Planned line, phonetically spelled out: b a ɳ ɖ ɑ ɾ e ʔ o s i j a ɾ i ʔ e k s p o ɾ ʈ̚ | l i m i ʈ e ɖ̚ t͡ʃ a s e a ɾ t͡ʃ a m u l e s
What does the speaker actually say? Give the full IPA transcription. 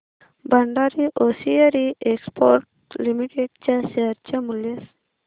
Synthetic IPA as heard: b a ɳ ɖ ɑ ɾ i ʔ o s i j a ɾ i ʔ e k s p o ɾ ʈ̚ | l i m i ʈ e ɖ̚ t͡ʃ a s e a ɾ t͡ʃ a m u l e s